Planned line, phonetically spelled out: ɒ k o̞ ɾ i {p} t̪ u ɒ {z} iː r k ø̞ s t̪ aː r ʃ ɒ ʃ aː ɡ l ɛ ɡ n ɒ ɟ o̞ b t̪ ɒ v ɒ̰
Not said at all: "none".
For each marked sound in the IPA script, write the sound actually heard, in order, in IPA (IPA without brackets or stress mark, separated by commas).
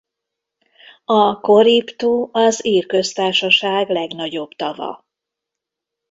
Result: p, z